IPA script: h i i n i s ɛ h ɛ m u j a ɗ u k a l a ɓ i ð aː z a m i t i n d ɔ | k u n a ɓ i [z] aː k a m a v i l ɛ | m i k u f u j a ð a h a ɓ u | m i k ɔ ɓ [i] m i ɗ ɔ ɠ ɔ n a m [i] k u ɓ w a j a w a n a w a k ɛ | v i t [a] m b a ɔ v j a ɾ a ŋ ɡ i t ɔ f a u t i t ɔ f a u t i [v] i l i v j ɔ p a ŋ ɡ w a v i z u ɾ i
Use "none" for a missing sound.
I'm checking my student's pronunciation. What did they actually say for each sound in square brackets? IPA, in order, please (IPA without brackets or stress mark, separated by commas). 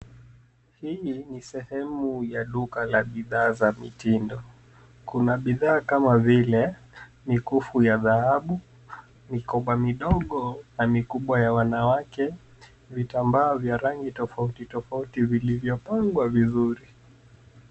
ð, a, i, a, v